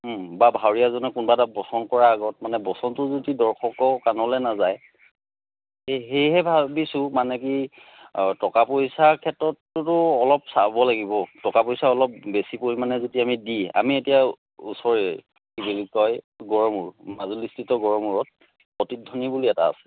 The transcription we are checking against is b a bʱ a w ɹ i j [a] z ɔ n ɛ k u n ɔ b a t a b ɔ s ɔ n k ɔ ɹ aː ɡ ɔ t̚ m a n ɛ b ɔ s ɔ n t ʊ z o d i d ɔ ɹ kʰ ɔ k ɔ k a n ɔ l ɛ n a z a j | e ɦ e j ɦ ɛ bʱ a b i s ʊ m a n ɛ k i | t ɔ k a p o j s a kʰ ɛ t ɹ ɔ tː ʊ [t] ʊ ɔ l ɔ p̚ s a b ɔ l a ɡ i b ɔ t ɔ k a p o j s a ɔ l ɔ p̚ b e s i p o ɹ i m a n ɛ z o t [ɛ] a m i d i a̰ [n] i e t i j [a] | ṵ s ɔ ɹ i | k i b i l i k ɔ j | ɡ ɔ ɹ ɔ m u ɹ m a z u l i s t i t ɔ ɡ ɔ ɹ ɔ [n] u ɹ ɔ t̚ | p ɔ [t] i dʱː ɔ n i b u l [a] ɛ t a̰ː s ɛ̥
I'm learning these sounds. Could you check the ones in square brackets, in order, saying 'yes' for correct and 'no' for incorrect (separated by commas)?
yes, yes, no, no, yes, no, yes, no